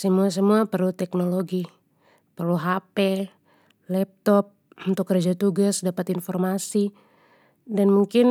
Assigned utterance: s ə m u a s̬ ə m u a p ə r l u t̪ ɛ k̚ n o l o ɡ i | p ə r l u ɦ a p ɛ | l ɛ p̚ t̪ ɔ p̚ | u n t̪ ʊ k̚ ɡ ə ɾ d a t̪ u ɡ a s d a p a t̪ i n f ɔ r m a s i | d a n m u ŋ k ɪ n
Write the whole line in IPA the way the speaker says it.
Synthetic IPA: s ə m u a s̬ ə m u a p ə r l u t̪ ɛ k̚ n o l o ɡ i | p ə r l u ɦ a p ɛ | l ɛ p̚ t̪ ɔ p̚ | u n t̪ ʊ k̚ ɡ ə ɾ d͡ʒ a t̪ u ɡ a s d a p a t̪ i n f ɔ r m a s i | d a n m u ŋ k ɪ n